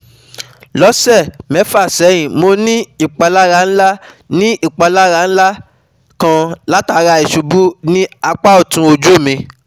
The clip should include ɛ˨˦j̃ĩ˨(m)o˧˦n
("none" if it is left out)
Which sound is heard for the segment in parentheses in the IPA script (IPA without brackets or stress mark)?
m